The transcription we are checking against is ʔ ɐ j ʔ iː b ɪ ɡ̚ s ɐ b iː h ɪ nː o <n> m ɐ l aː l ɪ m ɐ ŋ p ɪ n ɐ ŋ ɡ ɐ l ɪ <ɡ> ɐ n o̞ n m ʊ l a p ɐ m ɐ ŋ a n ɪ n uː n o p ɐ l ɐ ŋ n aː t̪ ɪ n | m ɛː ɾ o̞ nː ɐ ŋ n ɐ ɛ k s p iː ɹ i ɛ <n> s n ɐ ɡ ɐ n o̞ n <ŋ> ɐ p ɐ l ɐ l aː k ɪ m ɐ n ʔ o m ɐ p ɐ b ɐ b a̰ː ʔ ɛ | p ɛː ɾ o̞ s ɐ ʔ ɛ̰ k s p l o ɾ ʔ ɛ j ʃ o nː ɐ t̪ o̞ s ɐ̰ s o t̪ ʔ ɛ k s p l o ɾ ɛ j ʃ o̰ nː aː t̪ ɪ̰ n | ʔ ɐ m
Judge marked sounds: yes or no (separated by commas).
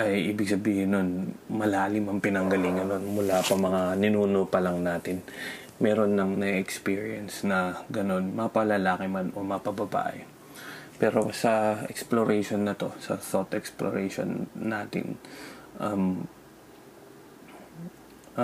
yes, no, yes, no